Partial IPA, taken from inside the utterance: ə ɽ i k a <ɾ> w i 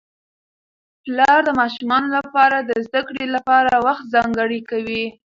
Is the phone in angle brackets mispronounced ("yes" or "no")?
yes